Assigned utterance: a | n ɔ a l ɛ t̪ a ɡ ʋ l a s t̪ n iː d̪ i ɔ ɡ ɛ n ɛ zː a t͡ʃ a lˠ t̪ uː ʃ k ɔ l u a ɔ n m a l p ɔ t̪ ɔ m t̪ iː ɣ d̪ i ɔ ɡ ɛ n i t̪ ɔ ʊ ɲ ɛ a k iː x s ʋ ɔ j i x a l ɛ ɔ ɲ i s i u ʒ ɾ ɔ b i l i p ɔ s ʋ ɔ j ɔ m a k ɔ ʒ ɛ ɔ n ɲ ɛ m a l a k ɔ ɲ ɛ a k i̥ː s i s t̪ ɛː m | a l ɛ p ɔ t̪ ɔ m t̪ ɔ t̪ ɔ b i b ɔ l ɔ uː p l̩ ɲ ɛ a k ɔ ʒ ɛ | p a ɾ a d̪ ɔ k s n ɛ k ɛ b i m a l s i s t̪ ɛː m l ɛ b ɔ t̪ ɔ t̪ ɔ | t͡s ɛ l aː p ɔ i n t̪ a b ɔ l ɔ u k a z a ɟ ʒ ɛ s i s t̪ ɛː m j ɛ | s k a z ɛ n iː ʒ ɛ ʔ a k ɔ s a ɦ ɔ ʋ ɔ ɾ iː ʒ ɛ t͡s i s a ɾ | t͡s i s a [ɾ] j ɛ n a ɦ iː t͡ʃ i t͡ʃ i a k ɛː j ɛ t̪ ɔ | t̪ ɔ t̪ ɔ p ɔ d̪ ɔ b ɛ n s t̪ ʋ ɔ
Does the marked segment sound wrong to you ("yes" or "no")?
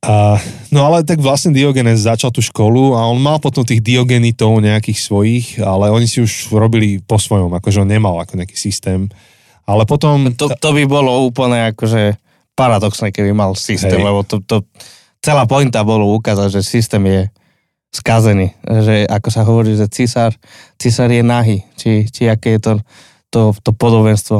no